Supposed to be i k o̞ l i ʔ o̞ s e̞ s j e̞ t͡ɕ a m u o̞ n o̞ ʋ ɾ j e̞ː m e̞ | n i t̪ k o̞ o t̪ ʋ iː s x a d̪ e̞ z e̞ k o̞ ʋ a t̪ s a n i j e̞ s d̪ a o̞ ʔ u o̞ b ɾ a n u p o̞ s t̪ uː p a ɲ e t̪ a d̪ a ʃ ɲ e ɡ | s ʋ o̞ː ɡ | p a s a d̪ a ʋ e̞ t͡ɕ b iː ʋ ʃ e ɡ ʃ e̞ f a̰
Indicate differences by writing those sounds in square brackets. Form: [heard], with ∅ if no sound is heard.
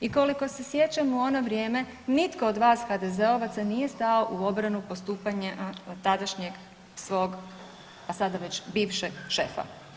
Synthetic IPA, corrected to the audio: i k o̞ l i [k] o̞ s e̞ s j e̞ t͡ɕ a m u o̞ n o̞ ʋ ɾ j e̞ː m e̞ | n i t̪ k o̞ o [d̪] ʋ [aː] s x a d̪ e̞ z e̞ [∅] o̞ ʋ a t̪ s a n i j e̞ s [t̪] a o̞ ʔ u o̞ b ɾ a n u p o̞ s t̪ uː p a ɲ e t̪ a d̪ a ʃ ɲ e ɡ | s ʋ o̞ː ɡ | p a s a d̪ a ʋ e̞ t͡ɕ b iː ʋ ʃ e ɡ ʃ e̞ f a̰